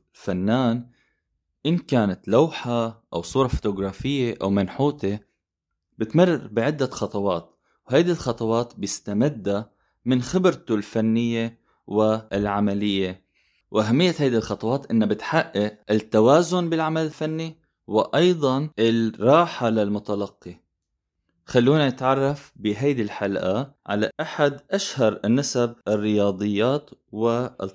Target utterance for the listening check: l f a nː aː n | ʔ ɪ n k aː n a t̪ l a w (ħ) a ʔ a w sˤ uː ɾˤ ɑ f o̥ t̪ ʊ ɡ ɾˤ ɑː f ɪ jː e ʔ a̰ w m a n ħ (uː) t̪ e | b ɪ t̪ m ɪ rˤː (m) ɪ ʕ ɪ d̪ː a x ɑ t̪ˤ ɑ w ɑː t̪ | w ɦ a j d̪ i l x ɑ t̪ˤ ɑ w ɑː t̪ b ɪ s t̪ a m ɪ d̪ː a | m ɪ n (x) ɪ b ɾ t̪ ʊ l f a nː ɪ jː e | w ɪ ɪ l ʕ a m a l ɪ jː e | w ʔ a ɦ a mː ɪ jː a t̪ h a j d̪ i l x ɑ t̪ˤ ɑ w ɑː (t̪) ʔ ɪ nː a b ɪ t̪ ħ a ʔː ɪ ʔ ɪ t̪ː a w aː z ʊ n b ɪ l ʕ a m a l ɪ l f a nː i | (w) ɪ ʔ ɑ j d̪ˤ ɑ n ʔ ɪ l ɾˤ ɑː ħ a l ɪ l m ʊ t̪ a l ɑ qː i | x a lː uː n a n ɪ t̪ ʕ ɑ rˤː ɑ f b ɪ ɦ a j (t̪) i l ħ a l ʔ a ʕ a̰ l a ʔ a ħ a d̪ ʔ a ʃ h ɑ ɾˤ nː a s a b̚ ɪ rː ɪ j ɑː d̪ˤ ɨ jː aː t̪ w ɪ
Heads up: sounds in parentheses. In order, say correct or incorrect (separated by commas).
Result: correct, correct, incorrect, correct, correct, correct, incorrect